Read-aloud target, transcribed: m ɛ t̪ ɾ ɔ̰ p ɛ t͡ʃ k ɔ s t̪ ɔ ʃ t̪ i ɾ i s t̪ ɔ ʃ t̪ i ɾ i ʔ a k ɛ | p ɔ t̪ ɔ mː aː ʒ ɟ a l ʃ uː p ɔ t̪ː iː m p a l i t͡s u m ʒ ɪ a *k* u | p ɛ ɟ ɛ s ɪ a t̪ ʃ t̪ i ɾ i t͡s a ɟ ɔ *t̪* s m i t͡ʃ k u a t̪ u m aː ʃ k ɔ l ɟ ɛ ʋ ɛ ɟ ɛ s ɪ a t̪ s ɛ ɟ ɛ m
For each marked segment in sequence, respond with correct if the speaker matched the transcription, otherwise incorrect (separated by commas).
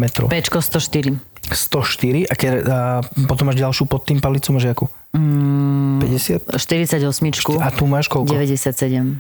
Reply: correct, incorrect